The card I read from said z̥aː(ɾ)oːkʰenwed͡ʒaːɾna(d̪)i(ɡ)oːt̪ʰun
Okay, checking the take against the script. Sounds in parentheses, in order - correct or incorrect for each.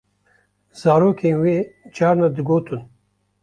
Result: correct, correct, correct

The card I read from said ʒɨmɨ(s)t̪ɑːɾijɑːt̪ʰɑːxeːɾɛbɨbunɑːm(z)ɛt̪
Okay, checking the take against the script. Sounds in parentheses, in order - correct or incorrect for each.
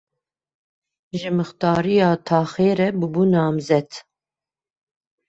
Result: incorrect: x, correct

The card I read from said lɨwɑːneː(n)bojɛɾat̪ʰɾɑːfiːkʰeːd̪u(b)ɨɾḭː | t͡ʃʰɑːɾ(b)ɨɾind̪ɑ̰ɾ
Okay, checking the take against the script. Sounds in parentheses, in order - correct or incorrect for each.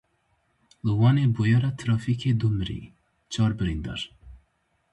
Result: incorrect: none, incorrect: m, correct

